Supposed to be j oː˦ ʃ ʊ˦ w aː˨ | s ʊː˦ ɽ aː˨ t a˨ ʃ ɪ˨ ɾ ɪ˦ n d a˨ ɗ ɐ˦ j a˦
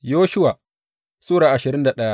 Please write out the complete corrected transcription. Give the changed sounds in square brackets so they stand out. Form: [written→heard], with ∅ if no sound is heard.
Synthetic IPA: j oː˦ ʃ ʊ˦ w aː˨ | s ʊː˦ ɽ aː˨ [t→ʔ] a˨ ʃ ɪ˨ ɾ ɪ˦ n d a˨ ɗ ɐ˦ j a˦

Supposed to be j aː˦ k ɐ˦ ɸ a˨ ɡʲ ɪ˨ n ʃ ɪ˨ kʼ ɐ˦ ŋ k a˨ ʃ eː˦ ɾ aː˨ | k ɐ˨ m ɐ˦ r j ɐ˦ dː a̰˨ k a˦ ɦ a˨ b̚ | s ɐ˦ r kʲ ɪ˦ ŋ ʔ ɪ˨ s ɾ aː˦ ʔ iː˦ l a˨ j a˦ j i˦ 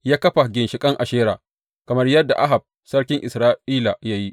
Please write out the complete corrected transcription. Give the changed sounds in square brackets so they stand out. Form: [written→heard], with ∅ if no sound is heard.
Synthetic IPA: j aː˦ k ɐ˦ ɸ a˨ ɡʲ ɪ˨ n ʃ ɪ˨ kʼ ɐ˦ ŋ [k→ʔ] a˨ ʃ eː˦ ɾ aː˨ | k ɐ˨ m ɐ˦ r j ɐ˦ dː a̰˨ [k→ʔ] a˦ ɦ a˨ b̚ | s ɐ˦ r kʲ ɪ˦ ŋ ʔ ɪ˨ s ɾ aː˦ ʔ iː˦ l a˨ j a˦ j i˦

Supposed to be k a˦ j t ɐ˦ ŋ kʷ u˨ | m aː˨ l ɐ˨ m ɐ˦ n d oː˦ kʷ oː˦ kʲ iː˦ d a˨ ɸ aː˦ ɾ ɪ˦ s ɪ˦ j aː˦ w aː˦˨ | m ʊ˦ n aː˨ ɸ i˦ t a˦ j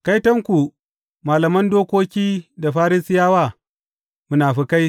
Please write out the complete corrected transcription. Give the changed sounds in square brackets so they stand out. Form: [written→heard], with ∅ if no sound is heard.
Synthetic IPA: k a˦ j t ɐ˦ ŋ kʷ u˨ | m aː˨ l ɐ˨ m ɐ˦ n d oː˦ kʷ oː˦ kʲ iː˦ d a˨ ɸ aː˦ ɾ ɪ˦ s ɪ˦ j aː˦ w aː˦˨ | m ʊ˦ n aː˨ ɸ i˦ [t→k] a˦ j

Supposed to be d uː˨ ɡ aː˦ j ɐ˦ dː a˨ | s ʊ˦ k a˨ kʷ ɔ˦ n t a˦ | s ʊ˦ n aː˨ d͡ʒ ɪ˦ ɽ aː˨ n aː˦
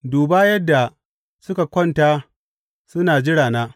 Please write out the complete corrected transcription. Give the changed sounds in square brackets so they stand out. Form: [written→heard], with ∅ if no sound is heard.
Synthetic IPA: d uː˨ [ɡ→b] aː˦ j ɐ˦ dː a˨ | s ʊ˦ k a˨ kʷ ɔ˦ n t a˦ | s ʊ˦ n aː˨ d͡ʒ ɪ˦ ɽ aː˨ n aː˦

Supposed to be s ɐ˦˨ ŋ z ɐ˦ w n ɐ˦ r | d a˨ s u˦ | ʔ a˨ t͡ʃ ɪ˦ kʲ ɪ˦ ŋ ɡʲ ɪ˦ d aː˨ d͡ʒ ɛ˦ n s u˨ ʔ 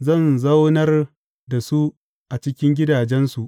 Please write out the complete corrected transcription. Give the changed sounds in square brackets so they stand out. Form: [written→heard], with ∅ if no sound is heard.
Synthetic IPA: [s→z] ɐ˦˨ [ŋ→n] z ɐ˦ w n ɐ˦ r | d a˨ s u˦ | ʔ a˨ t͡ʃ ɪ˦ kʲ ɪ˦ ŋ ɡʲ ɪ˦ d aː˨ d͡ʒ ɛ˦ n s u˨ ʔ

